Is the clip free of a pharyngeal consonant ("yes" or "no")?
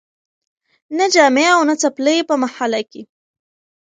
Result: no